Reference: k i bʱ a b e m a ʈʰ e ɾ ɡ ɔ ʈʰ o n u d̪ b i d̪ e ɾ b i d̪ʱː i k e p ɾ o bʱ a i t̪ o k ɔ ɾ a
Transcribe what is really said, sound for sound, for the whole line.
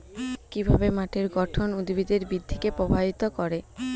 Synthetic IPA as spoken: k i bʱ a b e m a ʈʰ e ɾ ɡ ɔ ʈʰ o n u d̪ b i d̪ e ɾ b i d̪ʱː i k e p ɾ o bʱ a i t̪ o k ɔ ɾ e